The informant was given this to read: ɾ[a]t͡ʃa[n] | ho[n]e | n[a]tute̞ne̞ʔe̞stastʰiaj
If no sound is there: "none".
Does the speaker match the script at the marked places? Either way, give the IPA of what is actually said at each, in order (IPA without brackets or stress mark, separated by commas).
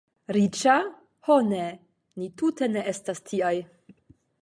i, none, n, i